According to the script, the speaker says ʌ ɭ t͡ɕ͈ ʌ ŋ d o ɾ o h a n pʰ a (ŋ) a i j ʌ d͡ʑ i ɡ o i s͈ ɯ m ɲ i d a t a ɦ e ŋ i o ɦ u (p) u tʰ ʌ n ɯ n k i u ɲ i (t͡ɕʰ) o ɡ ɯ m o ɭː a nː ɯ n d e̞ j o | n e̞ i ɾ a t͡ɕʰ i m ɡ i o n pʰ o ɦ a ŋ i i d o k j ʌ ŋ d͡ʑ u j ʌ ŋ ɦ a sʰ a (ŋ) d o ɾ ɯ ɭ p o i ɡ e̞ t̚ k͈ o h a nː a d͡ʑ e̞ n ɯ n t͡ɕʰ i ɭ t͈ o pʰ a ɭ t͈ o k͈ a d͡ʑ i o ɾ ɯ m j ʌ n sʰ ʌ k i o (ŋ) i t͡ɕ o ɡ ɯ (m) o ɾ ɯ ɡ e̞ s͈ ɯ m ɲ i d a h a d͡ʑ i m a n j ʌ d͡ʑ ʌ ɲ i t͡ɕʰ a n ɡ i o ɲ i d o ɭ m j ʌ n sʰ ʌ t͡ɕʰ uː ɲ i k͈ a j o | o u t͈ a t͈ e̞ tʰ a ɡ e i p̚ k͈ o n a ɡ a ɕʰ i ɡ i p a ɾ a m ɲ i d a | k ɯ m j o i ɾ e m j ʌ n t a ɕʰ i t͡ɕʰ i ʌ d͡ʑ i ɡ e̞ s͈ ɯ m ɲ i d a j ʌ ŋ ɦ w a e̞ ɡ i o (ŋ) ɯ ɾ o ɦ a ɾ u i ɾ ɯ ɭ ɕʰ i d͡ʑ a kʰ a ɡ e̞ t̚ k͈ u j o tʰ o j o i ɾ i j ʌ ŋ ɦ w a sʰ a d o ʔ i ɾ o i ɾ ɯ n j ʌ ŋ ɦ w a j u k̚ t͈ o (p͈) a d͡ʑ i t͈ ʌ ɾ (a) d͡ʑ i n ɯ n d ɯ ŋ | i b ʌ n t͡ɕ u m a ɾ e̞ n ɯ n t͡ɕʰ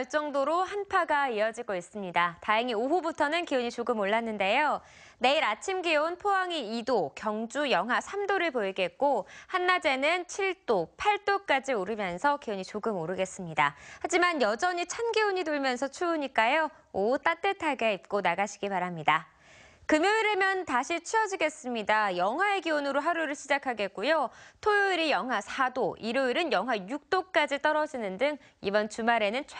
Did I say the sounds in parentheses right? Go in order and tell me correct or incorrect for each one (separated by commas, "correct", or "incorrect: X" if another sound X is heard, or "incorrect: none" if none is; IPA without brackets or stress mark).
incorrect: ɡ, incorrect: b, incorrect: t͡ɕ, incorrect: m, incorrect: ɲ, correct, incorrect: n, incorrect: k͈, incorrect: ʌ